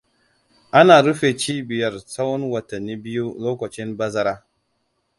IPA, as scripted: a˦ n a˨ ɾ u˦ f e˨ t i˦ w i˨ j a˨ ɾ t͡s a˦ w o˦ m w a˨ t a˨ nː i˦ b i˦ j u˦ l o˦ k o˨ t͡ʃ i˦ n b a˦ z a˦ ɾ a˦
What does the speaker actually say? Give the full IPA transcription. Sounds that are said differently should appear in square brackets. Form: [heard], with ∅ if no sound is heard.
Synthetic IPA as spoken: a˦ n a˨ ɾ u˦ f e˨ [t͡ʃ] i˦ [b] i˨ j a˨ ɾ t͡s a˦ w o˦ [n] w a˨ t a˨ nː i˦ b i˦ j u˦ l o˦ k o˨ t͡ʃ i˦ n b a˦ z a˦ ɾ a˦